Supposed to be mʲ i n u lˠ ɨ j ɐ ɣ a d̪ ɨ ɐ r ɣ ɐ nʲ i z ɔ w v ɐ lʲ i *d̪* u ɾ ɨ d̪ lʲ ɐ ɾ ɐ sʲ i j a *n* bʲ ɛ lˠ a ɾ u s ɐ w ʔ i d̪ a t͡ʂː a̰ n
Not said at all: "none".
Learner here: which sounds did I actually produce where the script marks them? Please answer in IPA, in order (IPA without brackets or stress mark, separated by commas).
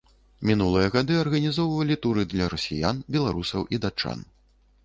t̪, n